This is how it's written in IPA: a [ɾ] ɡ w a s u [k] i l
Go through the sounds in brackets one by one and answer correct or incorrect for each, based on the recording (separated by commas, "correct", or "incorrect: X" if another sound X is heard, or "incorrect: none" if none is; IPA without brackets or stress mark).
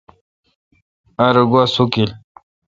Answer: correct, correct